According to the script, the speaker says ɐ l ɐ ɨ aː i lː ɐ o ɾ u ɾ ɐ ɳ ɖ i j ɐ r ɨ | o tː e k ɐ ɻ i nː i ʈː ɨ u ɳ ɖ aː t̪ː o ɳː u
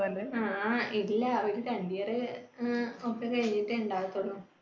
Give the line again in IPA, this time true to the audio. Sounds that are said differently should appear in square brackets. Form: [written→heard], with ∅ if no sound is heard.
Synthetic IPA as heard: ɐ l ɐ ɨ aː i lː ɐ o ɾ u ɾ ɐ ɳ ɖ i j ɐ r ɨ | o [tː→kː] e k ɐ ɻ i [nː→ɲː] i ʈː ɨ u ɳ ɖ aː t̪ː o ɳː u